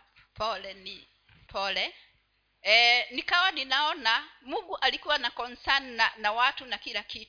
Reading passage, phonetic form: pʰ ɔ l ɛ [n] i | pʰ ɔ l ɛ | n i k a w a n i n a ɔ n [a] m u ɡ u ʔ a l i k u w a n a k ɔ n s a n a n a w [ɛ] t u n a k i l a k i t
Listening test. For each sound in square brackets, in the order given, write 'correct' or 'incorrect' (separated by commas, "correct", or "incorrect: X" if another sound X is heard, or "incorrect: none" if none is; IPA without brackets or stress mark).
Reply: correct, correct, incorrect: a